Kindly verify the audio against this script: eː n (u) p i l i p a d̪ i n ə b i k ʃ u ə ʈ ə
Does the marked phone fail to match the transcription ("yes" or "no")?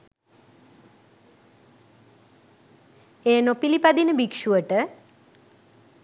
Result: yes